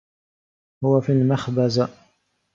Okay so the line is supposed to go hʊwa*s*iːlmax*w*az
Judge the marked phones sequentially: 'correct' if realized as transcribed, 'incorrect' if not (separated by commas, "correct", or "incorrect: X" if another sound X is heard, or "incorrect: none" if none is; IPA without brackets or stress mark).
incorrect: f, incorrect: b